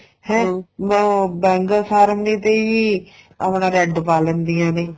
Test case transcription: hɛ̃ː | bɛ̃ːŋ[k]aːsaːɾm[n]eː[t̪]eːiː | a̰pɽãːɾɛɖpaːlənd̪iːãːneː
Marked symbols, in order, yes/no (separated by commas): no, yes, yes